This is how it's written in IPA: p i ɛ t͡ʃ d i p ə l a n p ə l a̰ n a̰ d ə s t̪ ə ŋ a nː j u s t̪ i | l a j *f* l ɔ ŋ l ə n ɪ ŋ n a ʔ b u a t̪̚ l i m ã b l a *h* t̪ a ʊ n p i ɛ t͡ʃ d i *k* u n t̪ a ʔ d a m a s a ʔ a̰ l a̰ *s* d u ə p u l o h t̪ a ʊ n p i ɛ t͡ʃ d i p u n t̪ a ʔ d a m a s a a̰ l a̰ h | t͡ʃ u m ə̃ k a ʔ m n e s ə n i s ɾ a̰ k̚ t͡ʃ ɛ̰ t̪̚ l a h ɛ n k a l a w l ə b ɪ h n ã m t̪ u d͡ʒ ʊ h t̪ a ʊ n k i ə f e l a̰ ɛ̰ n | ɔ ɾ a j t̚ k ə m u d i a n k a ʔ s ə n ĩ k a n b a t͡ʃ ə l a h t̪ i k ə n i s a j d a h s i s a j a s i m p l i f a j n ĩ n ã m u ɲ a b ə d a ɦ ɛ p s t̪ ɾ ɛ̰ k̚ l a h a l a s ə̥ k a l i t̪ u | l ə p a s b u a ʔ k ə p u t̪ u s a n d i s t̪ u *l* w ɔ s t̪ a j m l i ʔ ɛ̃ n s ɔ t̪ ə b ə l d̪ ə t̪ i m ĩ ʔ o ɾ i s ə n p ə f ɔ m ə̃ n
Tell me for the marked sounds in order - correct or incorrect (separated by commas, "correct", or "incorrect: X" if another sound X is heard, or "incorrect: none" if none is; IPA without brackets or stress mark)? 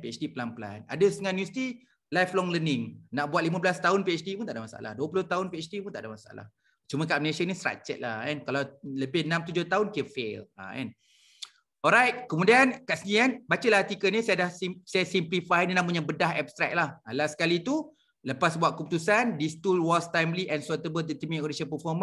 correct, incorrect: s, incorrect: p, incorrect: h, correct